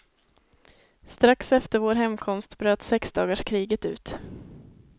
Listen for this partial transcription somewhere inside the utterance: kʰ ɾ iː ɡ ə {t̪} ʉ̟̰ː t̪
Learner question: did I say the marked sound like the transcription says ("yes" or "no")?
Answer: yes